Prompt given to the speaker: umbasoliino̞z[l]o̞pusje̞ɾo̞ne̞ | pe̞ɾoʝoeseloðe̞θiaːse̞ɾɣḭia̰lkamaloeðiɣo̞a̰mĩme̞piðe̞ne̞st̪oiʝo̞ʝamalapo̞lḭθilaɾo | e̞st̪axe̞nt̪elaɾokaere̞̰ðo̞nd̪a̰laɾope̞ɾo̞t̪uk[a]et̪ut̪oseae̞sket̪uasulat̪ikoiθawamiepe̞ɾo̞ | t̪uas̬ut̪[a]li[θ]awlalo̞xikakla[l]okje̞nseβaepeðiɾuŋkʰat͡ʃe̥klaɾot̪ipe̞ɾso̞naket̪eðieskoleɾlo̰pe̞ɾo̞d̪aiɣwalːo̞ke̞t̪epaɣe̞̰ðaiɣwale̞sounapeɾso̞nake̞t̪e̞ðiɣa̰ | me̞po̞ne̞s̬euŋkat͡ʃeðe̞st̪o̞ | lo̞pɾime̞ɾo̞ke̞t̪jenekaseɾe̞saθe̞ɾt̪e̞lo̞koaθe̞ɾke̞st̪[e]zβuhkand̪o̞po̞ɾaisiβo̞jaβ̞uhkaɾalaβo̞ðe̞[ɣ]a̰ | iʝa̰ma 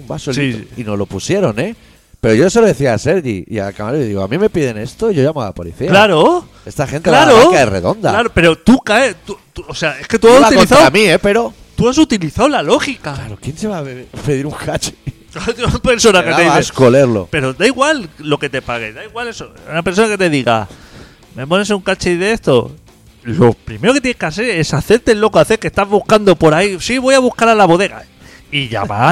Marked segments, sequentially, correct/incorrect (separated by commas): correct, correct, incorrect, correct, incorrect, incorrect, correct